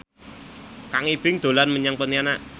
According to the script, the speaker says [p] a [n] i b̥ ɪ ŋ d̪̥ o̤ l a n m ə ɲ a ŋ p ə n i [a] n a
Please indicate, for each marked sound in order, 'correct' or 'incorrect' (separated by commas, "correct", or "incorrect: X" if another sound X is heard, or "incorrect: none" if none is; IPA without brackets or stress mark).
incorrect: k, incorrect: ŋ, correct